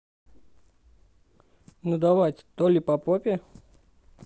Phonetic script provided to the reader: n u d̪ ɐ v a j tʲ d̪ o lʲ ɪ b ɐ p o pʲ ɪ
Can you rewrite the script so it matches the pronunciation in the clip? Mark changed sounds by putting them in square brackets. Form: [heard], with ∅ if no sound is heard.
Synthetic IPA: n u d̪ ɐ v a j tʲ [t̪] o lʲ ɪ [p] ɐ p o pʲ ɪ